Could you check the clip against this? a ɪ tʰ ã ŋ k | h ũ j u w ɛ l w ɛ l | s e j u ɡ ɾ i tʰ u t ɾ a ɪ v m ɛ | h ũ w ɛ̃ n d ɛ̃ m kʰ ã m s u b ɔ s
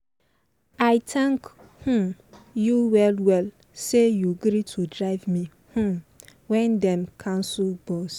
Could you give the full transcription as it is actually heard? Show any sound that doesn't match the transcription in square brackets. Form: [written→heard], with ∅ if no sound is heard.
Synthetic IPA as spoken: a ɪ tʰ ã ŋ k | h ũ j u w ɛ l w ɛ l | s e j u ɡ ɾ i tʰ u [t→d] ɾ a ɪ v m [ɛ→i] | h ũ w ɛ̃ n d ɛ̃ m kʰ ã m s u b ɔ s